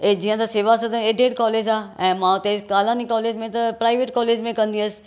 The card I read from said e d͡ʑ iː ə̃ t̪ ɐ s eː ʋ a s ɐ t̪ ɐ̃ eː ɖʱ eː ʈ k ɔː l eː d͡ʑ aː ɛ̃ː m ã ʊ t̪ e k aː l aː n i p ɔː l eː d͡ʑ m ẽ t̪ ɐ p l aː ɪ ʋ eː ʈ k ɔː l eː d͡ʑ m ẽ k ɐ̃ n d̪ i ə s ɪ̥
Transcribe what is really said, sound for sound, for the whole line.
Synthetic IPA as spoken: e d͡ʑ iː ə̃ t̪ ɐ s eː ʋ a s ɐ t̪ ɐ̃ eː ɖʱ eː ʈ k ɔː l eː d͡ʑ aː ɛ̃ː m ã ʊ t̪ e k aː l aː n i k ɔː l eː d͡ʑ m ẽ t̪ ɐ p ɾ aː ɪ ʋ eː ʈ k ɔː l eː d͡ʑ m ẽ k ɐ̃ n d̪ i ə s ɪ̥